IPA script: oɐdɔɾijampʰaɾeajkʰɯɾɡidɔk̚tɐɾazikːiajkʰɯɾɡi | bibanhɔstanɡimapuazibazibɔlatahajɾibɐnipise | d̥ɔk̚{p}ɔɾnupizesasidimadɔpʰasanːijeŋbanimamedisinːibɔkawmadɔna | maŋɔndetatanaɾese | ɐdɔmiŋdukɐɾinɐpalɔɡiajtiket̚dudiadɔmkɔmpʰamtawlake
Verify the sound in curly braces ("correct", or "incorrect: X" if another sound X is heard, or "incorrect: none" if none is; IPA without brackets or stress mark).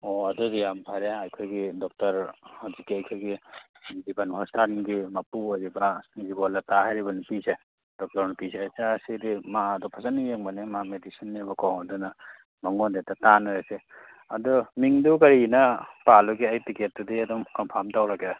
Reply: incorrect: t